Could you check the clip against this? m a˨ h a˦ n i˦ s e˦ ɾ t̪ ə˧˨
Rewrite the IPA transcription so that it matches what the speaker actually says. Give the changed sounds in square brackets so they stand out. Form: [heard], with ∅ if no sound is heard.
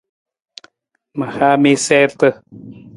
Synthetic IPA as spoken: m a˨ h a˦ [m] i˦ s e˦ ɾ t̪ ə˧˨